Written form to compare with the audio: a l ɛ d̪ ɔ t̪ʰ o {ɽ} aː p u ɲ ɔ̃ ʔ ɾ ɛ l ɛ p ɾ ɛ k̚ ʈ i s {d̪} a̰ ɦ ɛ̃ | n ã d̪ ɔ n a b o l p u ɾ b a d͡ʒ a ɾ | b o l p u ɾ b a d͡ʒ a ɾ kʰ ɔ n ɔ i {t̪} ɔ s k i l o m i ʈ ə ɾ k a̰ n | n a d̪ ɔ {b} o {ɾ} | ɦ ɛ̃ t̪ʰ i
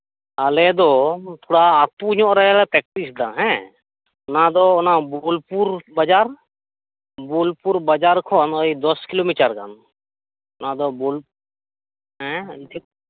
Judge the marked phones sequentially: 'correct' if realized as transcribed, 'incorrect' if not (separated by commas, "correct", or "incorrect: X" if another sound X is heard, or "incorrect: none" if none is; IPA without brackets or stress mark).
correct, correct, incorrect: d̪, correct, incorrect: l